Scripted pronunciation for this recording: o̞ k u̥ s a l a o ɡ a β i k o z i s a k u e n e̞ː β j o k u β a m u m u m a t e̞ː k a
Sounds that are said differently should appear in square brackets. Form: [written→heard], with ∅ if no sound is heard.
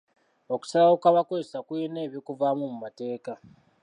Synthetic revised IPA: o̞ k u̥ s a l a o [ɡ→k] a β [i→a] k o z [i→e] s a k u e n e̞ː β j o k u [β→v] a m u m u m a t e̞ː k a